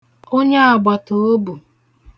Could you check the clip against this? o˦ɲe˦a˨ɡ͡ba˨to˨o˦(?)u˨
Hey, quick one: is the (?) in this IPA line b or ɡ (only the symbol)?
b